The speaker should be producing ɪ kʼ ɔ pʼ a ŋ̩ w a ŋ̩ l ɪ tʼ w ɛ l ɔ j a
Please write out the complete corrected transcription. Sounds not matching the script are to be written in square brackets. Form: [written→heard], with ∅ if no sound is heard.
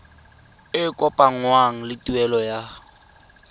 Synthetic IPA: ɪ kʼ ɔ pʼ a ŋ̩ w a ŋ̩ l ɪ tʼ [w→u] ɛ l ɔ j a